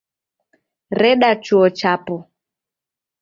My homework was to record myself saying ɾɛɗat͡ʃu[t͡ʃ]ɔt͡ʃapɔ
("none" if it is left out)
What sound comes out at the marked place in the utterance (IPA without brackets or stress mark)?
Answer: none